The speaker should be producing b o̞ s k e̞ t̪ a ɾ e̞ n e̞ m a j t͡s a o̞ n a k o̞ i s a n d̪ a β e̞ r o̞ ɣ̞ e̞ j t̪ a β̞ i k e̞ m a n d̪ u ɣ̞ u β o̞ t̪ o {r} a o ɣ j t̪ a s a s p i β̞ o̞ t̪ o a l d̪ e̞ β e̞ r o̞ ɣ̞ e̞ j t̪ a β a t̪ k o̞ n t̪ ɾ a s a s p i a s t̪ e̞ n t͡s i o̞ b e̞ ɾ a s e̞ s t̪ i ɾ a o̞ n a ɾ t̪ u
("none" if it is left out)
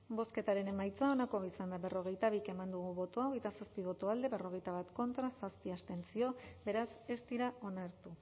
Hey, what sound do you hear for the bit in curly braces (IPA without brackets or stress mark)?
none